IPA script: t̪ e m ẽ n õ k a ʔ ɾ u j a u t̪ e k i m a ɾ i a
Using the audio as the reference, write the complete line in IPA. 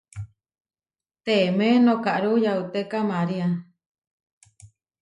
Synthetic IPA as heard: t̪ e m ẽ n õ k a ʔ ɾ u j a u t̪ e k a m a ɾ i a